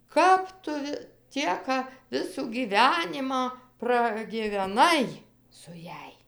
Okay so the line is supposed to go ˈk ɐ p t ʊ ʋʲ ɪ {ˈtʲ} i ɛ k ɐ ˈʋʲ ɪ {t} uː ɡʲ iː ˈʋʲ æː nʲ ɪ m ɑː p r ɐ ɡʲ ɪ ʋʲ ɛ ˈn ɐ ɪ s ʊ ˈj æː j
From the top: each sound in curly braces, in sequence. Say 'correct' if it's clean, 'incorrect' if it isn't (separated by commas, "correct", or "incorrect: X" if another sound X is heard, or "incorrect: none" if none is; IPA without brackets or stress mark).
correct, incorrect: s